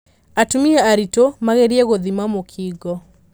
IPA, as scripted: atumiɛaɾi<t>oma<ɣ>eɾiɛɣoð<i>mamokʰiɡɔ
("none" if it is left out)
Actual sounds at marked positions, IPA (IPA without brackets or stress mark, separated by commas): t, ɣ, i